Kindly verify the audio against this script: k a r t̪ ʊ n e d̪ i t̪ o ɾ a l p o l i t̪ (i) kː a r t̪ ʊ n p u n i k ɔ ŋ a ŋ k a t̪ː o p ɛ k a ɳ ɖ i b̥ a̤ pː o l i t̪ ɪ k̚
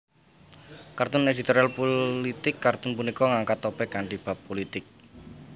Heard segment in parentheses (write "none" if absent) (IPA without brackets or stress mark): ɪ